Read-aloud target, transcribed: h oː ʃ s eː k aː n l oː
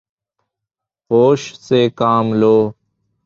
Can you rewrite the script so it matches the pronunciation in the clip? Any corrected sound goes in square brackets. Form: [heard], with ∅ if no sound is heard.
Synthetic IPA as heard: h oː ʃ s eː k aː [m] l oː

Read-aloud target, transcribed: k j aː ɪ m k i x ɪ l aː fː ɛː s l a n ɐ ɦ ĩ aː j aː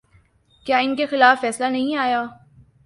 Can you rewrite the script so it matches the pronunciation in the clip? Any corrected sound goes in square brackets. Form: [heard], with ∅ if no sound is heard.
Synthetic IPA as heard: k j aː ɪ [n] k [e] x ɪ l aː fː ɛː s l a n ɐ ɦ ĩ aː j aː

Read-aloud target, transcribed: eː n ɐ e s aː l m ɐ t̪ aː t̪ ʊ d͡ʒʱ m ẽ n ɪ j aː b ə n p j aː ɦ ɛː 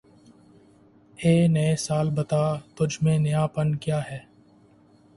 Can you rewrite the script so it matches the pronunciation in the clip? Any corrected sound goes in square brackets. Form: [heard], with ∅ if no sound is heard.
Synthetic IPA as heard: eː n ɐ e s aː l [b] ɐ t̪ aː t̪ ʊ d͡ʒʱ m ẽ n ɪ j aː [p] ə n [k] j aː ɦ ɛː

